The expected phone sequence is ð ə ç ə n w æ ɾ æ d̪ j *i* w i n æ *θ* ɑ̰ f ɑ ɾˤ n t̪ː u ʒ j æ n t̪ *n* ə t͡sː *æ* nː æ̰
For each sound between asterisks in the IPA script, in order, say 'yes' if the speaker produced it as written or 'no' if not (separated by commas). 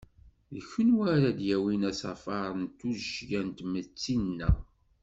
no, no, no, no